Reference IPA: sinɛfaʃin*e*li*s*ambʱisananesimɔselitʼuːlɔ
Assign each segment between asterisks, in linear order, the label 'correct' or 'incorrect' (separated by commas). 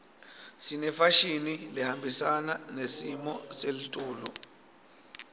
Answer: incorrect, incorrect